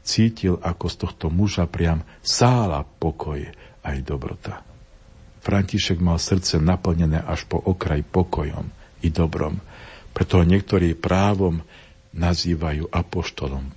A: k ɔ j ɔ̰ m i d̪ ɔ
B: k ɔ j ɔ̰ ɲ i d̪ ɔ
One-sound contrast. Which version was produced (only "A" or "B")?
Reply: A